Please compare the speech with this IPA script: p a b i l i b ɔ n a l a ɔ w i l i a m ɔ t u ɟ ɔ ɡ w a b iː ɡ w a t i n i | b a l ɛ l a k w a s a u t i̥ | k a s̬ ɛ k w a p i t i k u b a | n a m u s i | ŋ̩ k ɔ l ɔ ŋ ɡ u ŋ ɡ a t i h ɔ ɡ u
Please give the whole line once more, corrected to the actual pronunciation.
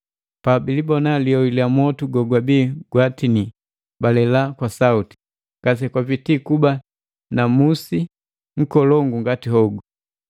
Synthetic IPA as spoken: p a b i l i b ɔ n a l i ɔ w i l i a m ɔ t u ɡ ɔ ɡ w a b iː ɡ w a t i n i | b a l ɛ l a k w a s a u t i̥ | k a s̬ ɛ k w a p i t i k u b a | n a m u s i | ŋ̩ k ɔ l ɔ ŋ ɡ u ŋ ɡ a t i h ɔ ɡ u